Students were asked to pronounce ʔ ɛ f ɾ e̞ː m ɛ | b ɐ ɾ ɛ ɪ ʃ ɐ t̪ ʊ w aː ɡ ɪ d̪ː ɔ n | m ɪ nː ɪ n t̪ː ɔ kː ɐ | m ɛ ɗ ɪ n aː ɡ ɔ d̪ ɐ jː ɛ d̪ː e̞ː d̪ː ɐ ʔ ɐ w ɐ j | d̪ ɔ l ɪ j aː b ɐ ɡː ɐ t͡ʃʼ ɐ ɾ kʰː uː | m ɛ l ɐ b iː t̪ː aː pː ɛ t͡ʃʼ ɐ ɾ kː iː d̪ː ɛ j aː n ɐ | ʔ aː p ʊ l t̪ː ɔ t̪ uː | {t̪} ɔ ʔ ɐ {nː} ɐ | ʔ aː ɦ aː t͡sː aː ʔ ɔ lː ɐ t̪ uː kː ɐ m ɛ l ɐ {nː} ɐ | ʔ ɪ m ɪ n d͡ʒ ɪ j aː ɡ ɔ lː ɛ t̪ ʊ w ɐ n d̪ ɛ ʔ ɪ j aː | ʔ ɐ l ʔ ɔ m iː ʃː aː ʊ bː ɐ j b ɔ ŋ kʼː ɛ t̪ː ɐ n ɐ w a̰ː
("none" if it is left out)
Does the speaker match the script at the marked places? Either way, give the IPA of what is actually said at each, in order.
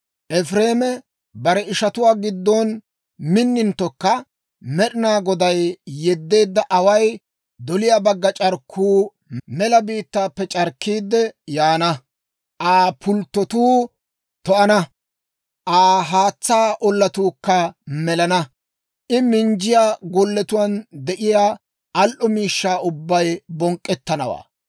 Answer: t̪, n, n

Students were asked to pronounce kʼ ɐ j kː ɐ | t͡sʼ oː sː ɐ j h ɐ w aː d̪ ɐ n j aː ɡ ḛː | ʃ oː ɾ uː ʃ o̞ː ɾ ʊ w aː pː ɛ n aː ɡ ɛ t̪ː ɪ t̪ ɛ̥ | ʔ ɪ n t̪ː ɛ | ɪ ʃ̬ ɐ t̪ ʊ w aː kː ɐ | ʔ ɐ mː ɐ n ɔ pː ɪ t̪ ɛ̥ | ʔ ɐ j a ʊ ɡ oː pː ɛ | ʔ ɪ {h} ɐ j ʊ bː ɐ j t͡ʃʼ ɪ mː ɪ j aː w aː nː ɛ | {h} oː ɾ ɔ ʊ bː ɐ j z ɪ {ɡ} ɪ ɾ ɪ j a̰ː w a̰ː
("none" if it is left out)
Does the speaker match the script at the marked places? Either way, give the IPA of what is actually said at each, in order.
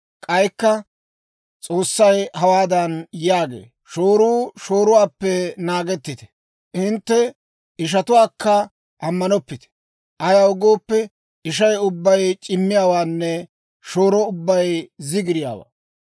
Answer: ʃ, ʃ, ɡ

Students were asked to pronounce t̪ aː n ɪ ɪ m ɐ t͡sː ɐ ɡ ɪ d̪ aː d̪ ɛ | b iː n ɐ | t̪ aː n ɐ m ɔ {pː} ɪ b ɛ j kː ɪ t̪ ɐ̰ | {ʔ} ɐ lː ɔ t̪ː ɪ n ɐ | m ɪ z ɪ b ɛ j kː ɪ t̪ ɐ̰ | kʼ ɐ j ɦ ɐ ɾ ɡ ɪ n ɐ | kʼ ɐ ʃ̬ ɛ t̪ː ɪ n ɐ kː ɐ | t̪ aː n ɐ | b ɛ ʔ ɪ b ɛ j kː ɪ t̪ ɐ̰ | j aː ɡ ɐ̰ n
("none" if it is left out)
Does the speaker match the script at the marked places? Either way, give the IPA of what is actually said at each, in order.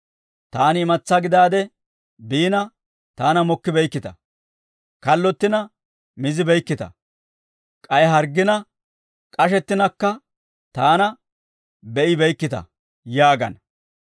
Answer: kː, k

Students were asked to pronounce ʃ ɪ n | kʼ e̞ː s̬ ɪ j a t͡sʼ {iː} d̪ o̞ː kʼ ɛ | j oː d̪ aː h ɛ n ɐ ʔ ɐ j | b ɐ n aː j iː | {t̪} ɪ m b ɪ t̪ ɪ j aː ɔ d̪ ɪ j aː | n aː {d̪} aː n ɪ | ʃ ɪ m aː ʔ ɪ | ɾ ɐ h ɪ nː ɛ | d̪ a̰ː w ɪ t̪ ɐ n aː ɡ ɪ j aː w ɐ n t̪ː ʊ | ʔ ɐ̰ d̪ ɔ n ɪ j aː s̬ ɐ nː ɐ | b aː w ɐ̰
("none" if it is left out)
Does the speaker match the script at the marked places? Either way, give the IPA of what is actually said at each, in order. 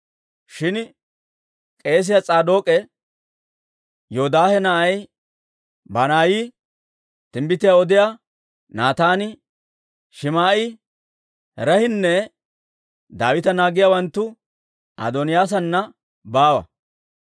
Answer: aː, t̪, t̪

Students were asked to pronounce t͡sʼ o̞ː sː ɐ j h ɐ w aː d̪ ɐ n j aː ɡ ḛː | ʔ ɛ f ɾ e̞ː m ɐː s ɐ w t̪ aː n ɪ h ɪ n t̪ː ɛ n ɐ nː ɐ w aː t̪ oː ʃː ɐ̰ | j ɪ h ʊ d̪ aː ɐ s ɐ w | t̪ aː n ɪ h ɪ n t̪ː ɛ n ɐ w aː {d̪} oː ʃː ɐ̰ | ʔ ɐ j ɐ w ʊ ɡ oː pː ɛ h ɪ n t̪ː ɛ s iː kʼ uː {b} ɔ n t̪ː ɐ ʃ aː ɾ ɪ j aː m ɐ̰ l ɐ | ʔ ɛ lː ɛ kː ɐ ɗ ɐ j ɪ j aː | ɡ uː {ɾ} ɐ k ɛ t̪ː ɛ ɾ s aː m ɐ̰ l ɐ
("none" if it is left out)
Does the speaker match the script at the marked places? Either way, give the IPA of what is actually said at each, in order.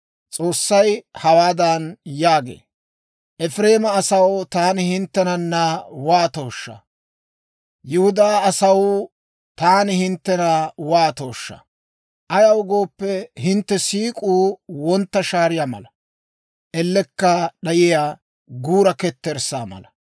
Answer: t̪, w, ɾ

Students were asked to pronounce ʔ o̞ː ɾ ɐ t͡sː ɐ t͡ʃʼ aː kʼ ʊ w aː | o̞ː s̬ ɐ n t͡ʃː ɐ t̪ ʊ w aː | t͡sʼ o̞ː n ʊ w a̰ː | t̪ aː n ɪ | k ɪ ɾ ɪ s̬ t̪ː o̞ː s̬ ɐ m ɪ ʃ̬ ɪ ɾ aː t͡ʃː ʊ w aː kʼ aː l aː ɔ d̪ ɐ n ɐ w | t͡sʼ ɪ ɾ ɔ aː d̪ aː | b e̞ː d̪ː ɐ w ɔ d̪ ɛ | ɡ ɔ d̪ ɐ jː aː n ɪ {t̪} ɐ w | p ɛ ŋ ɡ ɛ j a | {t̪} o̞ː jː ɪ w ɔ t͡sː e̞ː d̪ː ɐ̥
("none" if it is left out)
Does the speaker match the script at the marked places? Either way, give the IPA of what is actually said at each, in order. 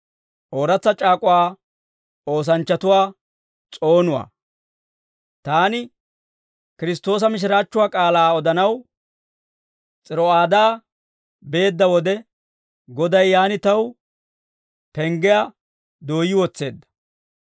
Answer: t̪, d̪

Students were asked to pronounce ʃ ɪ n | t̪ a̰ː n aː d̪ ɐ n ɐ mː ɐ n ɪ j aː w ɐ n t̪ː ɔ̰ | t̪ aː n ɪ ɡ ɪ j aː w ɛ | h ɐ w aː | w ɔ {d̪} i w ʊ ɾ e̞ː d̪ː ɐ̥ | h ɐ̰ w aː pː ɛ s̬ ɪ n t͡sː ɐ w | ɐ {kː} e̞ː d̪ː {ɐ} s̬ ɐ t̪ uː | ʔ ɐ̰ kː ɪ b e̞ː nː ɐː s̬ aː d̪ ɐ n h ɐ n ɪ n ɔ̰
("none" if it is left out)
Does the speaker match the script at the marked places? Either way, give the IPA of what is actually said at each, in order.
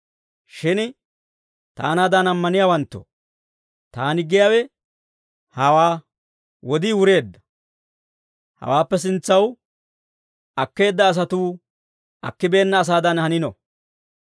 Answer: d̪, kː, ɐː

